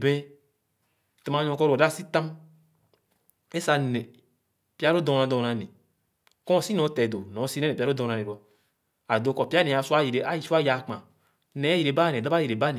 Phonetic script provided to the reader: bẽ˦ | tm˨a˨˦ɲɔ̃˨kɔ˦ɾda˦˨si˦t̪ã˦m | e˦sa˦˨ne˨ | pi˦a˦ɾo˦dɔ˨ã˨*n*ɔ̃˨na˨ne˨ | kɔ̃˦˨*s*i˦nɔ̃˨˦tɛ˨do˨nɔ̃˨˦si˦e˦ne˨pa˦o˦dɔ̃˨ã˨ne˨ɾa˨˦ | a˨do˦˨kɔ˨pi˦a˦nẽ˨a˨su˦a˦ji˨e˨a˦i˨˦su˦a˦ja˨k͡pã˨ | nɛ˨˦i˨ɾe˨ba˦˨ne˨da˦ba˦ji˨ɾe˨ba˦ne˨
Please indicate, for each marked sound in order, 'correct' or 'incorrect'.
incorrect, correct

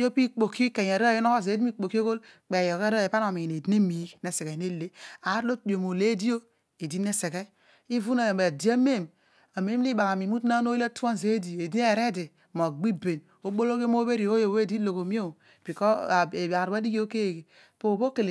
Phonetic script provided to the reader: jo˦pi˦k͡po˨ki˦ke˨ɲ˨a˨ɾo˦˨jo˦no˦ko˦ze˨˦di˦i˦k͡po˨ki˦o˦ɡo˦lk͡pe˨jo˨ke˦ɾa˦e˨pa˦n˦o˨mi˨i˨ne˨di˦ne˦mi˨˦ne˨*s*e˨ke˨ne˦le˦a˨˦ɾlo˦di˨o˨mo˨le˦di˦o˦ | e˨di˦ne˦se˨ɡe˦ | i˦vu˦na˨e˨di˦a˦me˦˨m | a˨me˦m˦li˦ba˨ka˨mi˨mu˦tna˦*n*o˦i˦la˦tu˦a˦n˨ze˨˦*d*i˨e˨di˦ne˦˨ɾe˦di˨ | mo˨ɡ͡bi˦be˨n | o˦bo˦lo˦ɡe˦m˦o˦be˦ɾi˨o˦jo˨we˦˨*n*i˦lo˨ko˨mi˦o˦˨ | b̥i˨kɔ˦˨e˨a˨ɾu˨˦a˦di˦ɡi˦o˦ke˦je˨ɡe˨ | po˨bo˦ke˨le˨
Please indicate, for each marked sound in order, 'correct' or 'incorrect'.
correct, correct, correct, incorrect

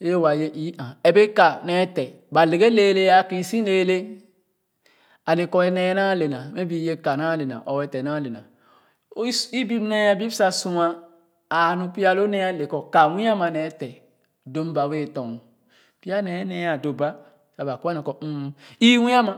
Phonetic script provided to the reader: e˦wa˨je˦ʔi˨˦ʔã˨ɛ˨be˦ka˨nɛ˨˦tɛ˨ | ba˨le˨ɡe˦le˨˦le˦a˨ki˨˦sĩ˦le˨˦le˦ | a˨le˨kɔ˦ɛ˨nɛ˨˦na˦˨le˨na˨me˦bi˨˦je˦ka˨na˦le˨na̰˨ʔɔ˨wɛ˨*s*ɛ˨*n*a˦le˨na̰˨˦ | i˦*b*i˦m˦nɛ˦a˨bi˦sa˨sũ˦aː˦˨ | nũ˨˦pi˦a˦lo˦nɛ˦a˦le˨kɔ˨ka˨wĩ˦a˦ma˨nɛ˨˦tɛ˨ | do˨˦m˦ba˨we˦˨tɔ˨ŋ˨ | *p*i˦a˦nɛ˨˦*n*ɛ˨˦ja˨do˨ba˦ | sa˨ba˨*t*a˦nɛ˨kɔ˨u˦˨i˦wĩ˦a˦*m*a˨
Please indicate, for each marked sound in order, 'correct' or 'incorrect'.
incorrect, correct, correct, correct, correct, incorrect, correct

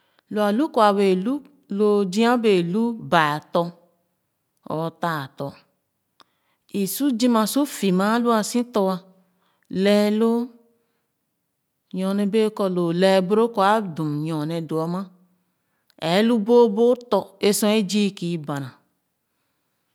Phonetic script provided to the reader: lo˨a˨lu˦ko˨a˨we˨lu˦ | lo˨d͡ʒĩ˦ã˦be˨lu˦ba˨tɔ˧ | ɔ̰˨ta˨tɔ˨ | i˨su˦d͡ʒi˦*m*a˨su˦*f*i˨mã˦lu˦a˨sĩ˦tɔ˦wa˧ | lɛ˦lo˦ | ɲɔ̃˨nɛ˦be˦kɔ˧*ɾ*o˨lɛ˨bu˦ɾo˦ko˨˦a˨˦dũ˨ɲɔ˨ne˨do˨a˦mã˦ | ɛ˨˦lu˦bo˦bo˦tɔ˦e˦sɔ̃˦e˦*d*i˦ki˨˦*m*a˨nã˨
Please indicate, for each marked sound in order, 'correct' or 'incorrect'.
correct, correct, incorrect, incorrect, incorrect

